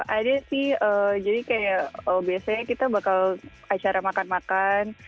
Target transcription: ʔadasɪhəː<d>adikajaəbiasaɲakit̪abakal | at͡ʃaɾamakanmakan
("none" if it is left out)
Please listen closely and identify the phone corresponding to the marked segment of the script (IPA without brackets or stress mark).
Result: d͡ʒ